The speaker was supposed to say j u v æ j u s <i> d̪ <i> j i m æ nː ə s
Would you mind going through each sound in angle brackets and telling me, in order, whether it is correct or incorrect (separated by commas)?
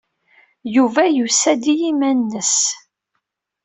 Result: incorrect, correct